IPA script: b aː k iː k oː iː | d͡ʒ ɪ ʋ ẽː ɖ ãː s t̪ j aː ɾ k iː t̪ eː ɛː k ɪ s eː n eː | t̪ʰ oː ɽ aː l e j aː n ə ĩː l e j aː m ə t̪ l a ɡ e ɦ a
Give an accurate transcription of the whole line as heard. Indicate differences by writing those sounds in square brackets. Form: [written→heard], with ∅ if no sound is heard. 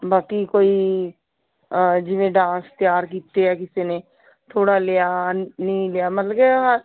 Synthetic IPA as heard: b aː k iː k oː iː | d͡ʒ ɪ ʋ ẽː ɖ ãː s t̪ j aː ɾ k iː t̪ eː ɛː k ɪ s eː n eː | t̪ʰ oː ɽ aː l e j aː n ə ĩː l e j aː m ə t̪ l [a→ə] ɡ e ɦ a